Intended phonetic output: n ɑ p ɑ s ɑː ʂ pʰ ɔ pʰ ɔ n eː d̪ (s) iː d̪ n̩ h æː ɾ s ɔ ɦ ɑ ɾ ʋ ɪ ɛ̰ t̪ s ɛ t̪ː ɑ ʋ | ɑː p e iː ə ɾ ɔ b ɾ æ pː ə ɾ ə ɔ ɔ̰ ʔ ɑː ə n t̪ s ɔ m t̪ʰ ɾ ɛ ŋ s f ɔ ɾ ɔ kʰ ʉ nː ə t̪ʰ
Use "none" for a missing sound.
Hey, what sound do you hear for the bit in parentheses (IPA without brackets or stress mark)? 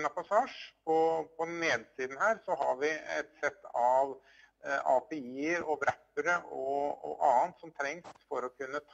s